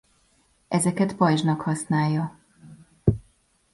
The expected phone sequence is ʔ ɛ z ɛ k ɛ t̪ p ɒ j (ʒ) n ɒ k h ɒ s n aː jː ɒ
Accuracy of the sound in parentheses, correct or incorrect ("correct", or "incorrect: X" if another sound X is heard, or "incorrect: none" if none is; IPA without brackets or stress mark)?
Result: correct